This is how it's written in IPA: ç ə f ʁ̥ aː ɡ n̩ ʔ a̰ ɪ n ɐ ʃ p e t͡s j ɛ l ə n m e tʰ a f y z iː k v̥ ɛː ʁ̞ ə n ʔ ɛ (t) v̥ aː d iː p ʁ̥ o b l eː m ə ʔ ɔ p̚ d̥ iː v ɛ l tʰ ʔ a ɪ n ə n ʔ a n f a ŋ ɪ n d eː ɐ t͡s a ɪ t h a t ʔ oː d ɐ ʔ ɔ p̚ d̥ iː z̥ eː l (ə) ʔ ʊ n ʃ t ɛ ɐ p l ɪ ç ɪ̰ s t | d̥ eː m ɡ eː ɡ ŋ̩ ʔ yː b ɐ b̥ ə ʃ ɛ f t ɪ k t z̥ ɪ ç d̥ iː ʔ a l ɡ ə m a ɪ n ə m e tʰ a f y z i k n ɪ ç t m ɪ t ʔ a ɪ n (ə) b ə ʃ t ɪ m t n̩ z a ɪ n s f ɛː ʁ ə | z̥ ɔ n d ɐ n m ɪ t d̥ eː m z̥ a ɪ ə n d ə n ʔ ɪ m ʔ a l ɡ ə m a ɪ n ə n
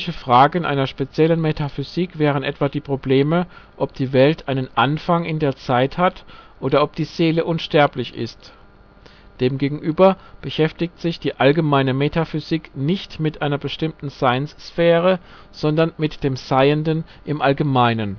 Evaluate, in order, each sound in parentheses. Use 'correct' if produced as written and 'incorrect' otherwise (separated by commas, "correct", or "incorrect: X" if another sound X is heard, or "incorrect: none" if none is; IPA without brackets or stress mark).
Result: correct, correct, incorrect: ɐ